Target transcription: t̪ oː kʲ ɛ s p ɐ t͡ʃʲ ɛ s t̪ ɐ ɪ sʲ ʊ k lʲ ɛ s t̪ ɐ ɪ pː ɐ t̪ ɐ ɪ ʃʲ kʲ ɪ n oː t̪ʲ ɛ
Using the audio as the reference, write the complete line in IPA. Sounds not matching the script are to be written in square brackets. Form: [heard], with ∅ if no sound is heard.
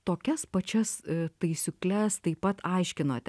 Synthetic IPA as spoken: t̪ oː kʲ ɛ s p ɐ t͡ʃʲ ɛ s t̪ ɐ ɪ sʲ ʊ k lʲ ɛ s t̪ ɐ ɪ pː ɐ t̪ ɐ ɪ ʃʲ kʲ ɪ n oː t̪ʲ ɛ